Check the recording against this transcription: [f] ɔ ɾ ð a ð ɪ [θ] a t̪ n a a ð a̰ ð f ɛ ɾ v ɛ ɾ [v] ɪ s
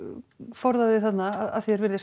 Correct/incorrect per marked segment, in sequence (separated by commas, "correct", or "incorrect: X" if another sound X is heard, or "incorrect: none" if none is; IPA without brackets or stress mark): correct, correct, incorrect: ð